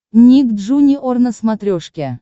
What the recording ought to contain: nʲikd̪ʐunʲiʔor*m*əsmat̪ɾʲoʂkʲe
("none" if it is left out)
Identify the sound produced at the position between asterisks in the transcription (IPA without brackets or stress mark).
n